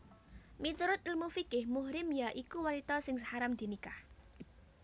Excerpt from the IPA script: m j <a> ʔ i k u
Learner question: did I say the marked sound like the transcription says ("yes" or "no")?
yes